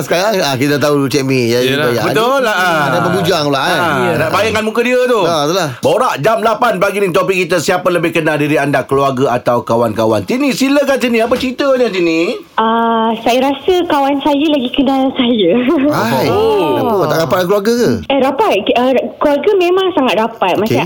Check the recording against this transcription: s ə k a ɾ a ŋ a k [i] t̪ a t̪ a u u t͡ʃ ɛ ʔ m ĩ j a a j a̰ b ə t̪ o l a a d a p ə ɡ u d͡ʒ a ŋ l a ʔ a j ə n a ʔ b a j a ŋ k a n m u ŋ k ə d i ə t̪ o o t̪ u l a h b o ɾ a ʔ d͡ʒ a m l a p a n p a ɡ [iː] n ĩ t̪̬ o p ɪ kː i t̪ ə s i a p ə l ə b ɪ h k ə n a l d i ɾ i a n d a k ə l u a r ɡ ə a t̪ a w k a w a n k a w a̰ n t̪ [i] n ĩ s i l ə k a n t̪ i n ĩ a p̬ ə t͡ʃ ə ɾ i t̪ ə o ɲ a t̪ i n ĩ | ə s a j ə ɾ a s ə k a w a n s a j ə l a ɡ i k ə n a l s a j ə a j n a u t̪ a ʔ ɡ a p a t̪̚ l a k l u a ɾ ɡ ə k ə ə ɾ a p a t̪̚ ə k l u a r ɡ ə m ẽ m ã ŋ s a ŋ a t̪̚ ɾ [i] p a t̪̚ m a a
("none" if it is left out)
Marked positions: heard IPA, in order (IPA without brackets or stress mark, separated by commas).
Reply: i, i, i, a